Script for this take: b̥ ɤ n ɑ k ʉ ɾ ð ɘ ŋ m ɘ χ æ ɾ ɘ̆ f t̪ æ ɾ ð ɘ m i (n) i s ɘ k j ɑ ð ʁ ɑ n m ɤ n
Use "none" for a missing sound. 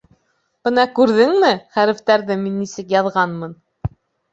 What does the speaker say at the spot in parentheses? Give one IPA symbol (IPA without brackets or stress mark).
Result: nː